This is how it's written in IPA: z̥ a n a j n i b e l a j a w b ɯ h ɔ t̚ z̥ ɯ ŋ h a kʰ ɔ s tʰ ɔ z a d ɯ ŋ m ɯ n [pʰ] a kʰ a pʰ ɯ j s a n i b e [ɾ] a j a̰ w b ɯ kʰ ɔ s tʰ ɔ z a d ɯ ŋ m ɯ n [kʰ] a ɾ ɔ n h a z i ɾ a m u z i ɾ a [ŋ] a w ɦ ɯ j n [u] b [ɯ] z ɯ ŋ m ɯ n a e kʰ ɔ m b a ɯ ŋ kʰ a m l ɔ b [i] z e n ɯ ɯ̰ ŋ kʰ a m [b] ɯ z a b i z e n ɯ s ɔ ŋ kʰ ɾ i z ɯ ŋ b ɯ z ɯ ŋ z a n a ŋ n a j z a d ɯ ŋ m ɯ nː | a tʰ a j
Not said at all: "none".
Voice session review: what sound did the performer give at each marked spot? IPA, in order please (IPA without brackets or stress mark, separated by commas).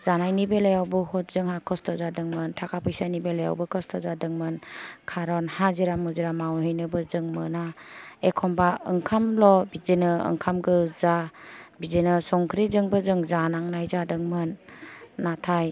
tʰ, l, kʰ, m, ɯ, ɯ, i, ɡ